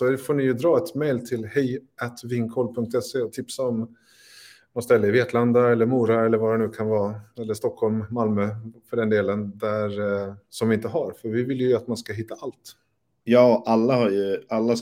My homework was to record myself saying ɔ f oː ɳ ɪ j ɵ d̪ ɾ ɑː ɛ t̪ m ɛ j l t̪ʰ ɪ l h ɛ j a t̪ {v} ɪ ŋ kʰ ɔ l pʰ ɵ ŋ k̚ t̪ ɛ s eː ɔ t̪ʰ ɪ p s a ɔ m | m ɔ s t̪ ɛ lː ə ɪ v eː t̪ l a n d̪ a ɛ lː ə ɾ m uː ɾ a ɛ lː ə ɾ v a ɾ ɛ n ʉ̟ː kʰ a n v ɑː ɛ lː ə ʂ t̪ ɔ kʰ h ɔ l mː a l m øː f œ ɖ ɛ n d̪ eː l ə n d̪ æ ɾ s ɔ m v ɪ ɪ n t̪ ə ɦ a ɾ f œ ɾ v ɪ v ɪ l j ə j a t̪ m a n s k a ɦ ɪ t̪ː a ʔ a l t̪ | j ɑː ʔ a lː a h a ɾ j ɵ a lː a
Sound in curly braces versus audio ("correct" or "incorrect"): correct